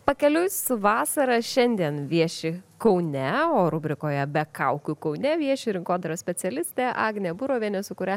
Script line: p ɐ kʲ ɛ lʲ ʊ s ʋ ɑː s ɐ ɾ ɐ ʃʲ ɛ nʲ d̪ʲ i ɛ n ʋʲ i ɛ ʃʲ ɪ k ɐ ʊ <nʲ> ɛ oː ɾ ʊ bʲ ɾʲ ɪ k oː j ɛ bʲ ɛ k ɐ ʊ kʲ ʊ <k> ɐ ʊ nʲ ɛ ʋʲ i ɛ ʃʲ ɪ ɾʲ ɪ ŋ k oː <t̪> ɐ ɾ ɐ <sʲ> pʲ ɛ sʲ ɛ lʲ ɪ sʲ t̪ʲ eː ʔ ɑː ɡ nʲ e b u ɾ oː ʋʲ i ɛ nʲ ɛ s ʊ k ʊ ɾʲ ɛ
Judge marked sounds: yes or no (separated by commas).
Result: yes, yes, no, yes